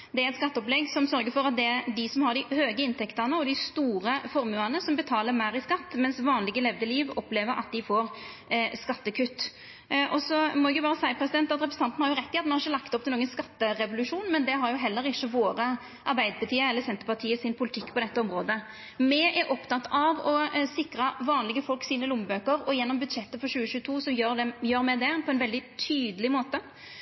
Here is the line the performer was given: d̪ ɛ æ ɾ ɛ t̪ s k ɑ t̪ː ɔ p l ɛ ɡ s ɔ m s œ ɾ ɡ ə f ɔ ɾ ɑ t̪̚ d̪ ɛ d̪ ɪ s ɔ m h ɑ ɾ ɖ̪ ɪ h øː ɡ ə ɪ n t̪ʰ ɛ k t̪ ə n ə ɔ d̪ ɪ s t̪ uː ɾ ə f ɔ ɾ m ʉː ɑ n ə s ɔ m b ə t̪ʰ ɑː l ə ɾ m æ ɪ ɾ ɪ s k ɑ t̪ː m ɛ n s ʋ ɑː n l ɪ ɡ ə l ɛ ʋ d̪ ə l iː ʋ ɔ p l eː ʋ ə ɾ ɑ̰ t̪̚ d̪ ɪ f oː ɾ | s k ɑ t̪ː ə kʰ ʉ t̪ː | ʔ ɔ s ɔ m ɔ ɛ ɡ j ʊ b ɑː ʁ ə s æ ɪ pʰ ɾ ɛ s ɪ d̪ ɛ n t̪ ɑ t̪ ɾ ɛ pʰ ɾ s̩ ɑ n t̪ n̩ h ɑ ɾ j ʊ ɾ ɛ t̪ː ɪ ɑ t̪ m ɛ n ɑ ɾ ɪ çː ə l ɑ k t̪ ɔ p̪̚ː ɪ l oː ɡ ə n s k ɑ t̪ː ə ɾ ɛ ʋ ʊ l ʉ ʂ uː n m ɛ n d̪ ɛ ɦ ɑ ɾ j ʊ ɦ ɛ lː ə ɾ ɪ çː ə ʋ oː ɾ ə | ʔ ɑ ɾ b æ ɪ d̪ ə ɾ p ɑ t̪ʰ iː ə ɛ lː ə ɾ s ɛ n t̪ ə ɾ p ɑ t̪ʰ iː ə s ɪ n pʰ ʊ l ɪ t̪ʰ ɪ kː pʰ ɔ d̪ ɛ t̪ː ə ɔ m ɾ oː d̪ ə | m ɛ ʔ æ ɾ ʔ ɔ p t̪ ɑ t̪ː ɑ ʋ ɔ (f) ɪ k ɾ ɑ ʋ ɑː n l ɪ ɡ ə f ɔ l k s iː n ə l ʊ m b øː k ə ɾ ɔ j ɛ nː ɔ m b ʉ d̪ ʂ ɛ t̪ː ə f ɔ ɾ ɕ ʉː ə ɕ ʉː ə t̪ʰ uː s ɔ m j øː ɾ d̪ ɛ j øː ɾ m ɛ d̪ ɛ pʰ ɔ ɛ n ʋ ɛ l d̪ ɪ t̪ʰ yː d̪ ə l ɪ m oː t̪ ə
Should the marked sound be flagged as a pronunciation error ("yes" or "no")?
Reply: yes